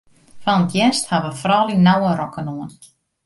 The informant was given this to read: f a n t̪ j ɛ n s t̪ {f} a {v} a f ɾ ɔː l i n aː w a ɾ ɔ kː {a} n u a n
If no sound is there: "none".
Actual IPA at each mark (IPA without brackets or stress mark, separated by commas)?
h, v, a